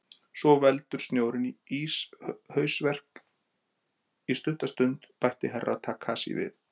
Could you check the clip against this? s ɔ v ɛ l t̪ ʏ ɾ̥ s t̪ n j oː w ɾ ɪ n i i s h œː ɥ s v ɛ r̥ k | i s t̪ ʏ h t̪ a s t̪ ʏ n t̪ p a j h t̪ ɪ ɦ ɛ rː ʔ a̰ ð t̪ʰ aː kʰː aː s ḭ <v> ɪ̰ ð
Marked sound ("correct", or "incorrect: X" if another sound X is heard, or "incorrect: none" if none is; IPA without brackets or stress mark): correct